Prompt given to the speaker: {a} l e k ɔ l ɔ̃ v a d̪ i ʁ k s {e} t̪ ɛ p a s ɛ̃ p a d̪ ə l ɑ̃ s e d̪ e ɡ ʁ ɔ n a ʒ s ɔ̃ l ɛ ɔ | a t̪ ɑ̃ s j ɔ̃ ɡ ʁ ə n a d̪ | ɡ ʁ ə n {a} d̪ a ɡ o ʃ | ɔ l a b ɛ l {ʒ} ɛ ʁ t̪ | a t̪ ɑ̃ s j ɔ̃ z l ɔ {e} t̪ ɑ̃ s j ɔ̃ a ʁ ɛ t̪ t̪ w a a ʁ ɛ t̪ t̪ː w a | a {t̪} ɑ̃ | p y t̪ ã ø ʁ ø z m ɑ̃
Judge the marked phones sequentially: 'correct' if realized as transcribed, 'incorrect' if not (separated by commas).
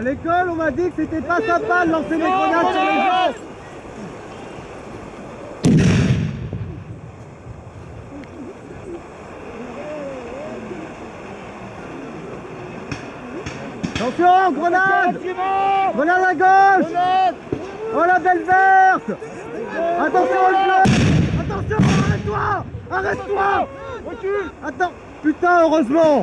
correct, correct, correct, incorrect, incorrect, correct